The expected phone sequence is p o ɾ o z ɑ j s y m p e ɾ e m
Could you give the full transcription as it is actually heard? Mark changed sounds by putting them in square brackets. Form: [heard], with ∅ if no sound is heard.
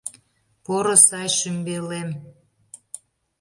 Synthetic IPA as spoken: p o ɾ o [s] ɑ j [ʃ] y m [b] e [l] e m